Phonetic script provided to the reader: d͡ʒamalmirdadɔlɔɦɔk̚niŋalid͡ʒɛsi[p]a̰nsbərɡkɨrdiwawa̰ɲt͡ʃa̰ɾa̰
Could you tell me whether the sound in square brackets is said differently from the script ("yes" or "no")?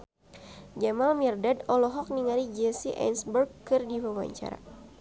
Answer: yes